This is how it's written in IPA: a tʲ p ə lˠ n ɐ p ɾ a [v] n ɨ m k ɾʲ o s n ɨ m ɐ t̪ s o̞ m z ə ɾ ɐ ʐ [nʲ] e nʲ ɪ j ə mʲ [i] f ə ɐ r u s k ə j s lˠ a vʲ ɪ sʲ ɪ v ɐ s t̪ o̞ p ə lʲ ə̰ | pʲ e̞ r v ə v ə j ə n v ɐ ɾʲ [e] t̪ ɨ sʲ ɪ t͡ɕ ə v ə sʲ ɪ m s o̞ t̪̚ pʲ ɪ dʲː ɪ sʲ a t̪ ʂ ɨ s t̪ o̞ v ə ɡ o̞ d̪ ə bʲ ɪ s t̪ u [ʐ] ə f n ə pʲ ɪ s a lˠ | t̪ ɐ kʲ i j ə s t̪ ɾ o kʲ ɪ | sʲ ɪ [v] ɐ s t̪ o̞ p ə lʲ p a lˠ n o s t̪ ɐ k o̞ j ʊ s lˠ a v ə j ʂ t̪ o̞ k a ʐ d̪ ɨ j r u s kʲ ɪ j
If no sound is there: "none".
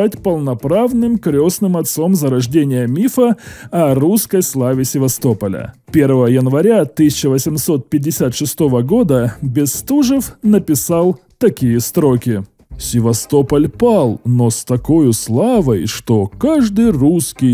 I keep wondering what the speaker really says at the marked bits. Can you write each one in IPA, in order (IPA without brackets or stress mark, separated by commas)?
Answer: v, dʲ, i, a, ʐ, v